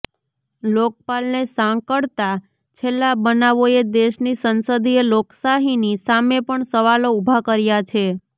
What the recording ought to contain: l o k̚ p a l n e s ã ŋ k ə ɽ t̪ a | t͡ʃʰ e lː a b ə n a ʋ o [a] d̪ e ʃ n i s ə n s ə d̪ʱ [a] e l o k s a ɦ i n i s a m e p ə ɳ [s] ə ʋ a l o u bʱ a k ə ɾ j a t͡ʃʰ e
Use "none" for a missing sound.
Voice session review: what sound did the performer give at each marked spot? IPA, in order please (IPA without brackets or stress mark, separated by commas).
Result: e, i, s